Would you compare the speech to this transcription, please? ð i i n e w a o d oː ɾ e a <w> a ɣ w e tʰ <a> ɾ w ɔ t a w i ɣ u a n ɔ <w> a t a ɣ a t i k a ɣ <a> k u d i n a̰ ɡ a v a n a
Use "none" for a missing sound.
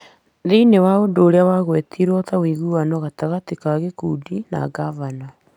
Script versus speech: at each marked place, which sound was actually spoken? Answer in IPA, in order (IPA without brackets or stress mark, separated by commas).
w, i, ɣ, e